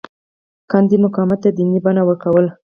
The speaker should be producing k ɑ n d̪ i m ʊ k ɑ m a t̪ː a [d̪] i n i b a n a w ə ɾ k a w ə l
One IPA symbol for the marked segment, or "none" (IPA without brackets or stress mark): d̪